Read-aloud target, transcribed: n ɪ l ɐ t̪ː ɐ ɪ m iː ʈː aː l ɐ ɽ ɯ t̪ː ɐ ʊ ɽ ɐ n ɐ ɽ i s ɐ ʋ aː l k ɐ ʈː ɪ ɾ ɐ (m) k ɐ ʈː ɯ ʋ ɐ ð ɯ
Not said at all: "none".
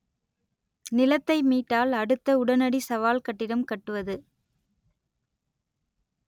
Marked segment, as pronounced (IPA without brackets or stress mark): m